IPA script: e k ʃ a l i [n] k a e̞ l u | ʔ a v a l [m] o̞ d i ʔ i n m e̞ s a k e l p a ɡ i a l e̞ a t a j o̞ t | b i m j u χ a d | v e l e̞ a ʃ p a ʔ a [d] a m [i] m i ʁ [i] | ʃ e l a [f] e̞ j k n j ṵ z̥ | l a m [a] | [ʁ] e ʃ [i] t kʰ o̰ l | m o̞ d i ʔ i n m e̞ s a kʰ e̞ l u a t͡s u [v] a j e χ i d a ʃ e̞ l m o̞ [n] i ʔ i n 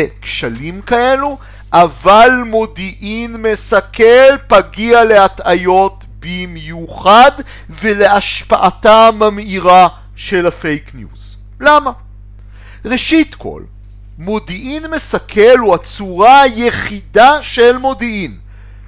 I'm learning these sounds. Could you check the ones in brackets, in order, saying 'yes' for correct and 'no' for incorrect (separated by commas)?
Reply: no, yes, no, no, no, yes, yes, yes, yes, no, no